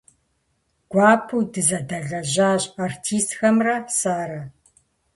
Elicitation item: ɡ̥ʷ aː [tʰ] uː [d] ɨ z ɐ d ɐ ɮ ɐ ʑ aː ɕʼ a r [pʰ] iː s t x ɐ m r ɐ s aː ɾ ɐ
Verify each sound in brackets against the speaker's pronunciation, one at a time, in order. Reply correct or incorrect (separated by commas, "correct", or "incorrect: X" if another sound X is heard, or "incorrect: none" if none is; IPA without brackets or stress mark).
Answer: incorrect: pʰ, correct, incorrect: tʰ